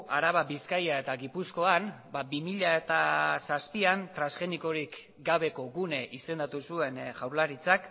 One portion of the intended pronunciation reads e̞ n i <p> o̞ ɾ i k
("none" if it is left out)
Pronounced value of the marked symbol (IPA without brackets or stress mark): k